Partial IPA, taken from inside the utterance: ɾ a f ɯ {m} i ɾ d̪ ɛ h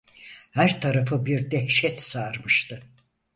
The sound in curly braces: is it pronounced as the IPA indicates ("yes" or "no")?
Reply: no